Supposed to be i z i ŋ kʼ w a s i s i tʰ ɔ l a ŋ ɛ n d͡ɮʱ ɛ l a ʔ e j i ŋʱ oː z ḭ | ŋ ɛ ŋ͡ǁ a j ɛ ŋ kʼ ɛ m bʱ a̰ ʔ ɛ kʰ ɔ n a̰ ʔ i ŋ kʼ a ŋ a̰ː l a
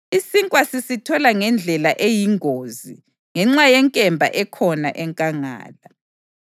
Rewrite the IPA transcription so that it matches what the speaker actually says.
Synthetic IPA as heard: i s i ŋ kʼ w a s i s i tʰ ɔ l a ŋ ɛ n d͡ɮʱ ɛ l a ʔ e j i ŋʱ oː z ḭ | ŋ ɛ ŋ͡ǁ a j ɛ ŋ kʼ ɛ m bʱ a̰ ʔ ɛ kʰ ɔ n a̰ ʔ ɛ ŋ kʼ a ŋ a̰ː l a